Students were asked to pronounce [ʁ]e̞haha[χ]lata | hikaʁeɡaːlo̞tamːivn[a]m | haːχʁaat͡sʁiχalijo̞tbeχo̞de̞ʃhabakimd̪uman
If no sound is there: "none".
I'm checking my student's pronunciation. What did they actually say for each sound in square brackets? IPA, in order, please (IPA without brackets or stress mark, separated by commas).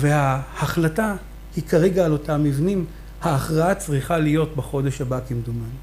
v, χ, i